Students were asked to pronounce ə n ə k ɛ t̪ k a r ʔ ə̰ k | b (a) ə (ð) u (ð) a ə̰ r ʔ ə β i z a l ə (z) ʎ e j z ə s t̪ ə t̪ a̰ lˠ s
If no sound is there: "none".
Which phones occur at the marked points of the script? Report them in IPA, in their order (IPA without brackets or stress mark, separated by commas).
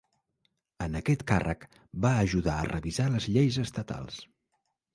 a, ʒ, ð, z